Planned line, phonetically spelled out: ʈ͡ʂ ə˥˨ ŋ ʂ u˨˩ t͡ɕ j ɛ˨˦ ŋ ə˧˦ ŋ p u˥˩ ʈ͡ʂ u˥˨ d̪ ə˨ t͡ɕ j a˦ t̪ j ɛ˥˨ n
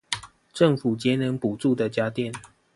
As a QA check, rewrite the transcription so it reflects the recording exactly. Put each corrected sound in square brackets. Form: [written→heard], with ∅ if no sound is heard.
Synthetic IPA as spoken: ʈ͡ʂ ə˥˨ ŋ [ʂ→f] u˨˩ t͡ɕ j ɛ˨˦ [ŋ→n] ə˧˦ ŋ p [u˥˩→u˨˩] ʈ͡ʂ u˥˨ d̪ ə˨ t͡ɕ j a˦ t̪ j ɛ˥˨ n

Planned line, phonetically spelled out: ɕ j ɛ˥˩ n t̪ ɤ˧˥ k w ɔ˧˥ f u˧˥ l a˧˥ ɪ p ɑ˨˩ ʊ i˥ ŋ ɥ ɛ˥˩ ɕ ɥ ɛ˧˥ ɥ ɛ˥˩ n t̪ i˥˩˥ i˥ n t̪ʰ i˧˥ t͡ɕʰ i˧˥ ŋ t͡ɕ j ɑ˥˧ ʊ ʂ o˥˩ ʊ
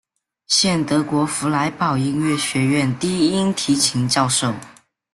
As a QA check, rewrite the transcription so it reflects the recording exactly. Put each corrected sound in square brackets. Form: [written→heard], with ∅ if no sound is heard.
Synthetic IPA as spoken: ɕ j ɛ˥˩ n t̪ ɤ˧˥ k w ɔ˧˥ f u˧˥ l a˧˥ ɪ p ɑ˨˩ ʊ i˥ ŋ ɥ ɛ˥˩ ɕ ɥ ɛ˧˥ ɥ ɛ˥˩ n t̪ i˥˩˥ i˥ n t̪ʰ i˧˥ t͡ɕʰ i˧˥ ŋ t͡ɕ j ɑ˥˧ ʊ ʂ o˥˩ ʊ

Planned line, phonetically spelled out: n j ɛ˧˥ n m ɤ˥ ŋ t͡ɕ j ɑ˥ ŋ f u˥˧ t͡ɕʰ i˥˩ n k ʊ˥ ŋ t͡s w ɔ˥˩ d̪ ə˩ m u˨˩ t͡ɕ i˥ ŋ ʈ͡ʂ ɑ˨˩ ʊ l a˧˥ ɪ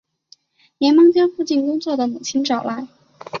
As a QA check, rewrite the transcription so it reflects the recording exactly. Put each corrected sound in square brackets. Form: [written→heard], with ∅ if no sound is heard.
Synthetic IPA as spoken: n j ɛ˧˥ n m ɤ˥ ŋ t͡ɕ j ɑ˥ ŋ f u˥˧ [t͡ɕʰ→t͡ɕ] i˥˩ n k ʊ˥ ŋ t͡s w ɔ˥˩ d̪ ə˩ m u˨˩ [t͡ɕ→t͡ɕʰ] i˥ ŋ ʈ͡ʂ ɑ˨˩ ʊ l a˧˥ ɪ

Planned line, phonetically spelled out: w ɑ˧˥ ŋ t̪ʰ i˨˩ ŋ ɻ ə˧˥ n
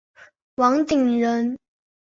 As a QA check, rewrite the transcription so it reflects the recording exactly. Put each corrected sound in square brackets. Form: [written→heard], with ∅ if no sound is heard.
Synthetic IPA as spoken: w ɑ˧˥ ŋ [t̪ʰ→t̪] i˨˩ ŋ ɻ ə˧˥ n

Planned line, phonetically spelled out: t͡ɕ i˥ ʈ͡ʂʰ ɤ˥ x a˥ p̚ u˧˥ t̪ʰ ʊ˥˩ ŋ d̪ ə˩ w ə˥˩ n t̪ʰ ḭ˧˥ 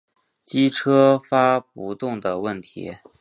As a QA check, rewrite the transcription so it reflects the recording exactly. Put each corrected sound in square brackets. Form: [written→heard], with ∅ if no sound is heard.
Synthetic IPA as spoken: t͡ɕ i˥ ʈ͡ʂʰ ɤ˥ [x→f] a˥ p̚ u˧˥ [t̪ʰ→t̪] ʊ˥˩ ŋ d̪ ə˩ w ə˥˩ n t̪ʰ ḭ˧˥

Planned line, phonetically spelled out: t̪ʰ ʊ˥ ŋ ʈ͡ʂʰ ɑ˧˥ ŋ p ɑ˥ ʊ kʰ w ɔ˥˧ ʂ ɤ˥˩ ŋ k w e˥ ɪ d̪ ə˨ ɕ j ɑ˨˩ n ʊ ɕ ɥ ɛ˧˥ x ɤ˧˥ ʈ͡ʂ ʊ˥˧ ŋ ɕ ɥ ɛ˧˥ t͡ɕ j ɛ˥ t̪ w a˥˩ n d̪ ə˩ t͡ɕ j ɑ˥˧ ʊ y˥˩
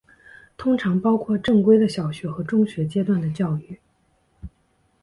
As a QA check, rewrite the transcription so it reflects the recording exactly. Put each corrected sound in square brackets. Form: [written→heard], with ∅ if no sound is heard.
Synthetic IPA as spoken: t̪ʰ ʊ˥ ŋ ʈ͡ʂʰ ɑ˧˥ ŋ p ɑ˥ ʊ kʰ w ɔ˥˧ [ʂ→ʈ͡ʂ] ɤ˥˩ ŋ k w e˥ ɪ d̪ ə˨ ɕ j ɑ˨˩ [n→∅] ʊ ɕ ɥ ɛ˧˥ x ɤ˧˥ ʈ͡ʂ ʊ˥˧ ŋ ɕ ɥ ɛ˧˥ t͡ɕ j ɛ˥ t̪ w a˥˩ n d̪ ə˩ t͡ɕ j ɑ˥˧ ʊ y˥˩

